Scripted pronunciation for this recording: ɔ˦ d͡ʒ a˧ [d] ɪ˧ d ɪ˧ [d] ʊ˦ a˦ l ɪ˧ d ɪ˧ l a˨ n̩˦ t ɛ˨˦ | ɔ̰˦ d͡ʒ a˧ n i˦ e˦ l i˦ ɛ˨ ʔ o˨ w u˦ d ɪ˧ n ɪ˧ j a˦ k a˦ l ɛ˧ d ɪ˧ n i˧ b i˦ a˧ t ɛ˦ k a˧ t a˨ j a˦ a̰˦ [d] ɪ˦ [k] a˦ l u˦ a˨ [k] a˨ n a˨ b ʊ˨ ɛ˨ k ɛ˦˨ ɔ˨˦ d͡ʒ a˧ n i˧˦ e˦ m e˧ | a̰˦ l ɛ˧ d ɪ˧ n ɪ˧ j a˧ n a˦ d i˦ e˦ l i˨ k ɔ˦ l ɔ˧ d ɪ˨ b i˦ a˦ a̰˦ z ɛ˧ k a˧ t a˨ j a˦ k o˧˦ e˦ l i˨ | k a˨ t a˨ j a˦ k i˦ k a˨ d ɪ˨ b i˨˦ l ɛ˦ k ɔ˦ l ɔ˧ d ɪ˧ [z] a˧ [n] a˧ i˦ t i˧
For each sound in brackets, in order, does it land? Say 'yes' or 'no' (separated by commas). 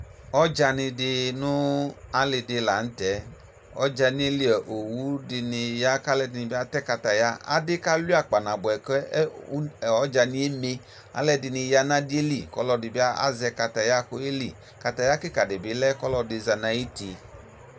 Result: no, no, yes, yes, no, yes, yes